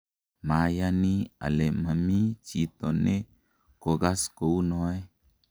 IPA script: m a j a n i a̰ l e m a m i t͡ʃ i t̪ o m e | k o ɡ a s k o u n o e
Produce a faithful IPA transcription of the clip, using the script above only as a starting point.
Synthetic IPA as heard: m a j a n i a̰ l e m a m i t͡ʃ i t̪ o n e | k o ɡ a s k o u n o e